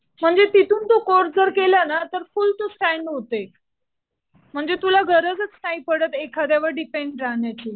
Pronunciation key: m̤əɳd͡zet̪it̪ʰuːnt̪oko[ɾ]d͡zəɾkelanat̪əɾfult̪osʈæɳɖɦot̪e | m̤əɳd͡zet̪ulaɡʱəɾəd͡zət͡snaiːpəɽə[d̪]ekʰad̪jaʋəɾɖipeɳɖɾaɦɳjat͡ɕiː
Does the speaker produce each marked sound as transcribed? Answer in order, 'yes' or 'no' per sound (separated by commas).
yes, no